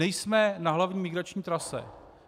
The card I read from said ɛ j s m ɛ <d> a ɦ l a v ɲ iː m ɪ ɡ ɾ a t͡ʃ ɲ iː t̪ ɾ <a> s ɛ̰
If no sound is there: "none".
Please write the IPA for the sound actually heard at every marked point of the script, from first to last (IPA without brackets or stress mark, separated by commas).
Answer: n, a